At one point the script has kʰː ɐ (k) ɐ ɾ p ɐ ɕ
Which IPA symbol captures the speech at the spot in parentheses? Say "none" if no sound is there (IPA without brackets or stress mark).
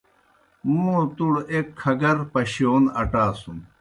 ɡ